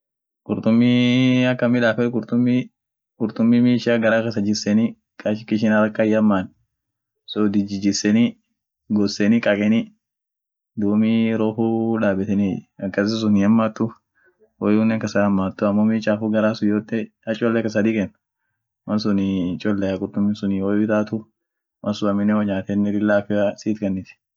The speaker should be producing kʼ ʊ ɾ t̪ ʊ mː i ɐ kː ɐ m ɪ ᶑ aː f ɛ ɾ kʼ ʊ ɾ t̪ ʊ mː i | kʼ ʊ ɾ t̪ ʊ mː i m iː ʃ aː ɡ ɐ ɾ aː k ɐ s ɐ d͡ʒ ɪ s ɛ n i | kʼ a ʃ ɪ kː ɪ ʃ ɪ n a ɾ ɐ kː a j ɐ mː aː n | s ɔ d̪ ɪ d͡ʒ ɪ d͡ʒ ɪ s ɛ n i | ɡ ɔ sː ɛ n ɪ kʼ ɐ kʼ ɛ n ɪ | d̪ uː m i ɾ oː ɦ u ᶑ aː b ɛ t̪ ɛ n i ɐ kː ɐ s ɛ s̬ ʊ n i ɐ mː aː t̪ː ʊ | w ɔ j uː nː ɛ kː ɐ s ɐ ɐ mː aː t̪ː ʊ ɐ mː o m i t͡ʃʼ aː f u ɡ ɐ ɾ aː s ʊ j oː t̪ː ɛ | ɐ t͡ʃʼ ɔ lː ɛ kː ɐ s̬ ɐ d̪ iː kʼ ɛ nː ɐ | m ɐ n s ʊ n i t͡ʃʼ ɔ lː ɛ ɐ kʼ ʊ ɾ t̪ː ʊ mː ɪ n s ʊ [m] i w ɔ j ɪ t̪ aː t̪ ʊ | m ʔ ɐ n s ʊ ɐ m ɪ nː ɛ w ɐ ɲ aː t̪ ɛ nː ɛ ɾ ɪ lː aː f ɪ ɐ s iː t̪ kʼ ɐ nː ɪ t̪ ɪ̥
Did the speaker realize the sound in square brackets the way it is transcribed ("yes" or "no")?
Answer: no